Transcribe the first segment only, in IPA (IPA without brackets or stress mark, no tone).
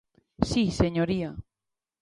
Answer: s